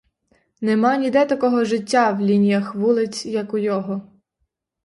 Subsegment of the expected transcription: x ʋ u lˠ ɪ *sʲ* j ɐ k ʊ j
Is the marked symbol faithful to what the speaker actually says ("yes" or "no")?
no